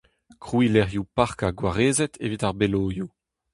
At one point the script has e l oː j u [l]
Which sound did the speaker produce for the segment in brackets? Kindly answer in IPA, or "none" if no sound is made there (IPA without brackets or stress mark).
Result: none